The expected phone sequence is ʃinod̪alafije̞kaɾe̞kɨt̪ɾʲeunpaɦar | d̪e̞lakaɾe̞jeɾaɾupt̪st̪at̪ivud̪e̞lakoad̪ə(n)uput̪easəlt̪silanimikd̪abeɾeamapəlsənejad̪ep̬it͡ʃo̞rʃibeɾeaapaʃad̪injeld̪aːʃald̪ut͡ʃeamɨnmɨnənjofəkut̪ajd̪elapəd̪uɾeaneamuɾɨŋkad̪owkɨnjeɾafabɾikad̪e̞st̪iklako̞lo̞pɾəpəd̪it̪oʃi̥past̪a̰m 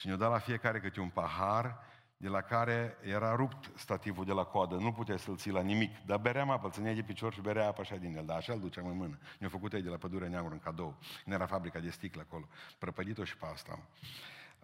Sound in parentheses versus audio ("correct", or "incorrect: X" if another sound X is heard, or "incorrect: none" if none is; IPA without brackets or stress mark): correct